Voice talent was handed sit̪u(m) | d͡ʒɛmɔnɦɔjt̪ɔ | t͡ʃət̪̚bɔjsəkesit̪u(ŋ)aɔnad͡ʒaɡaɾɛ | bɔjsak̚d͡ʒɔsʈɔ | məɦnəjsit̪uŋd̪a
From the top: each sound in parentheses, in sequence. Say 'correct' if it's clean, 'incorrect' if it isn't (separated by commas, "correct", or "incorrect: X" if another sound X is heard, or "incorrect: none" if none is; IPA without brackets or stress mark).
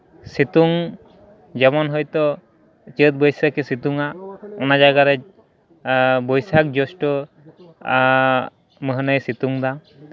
incorrect: ŋ, correct